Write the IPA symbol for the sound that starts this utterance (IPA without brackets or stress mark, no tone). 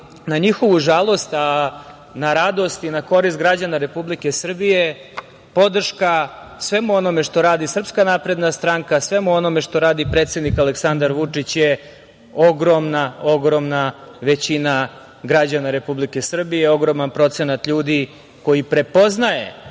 n